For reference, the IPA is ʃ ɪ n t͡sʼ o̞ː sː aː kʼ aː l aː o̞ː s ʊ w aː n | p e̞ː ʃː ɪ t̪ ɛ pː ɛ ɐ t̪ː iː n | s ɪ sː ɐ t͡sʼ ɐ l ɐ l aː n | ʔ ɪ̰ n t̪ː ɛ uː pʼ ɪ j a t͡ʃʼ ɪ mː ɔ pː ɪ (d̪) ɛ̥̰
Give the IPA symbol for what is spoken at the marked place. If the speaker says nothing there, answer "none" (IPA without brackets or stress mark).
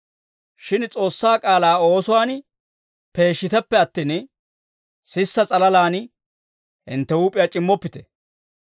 t̪